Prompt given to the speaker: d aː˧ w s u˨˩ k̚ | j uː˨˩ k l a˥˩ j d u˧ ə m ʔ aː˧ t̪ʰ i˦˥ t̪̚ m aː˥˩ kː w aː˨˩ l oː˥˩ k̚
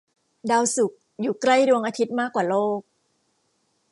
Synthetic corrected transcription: d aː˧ w s u˨˩ k̚ | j uː˨˩ k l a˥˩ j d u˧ ə ŋ ʔ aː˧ t̪ʰ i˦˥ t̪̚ m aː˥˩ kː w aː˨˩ l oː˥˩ k̚